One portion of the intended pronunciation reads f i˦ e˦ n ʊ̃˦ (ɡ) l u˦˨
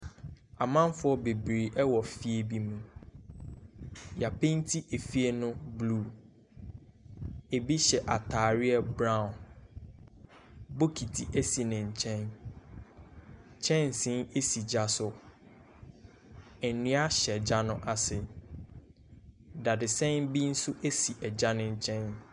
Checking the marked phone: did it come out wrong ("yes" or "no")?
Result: yes